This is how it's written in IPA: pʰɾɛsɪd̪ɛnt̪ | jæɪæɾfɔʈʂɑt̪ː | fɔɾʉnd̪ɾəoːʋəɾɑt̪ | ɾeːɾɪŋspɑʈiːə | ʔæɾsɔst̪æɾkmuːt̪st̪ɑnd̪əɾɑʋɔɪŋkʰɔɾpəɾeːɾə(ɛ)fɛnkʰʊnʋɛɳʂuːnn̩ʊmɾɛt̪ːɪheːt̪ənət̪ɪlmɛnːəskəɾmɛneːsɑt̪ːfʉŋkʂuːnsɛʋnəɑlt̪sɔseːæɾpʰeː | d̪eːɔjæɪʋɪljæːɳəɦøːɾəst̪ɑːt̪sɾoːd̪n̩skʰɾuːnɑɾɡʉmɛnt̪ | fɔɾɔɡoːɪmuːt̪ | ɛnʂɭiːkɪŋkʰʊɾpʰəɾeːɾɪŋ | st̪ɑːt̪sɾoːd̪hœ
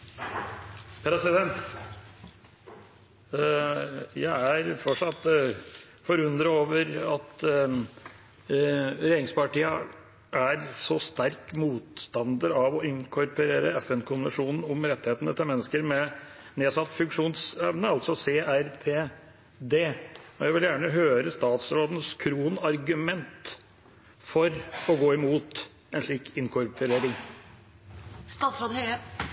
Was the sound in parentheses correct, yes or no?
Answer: yes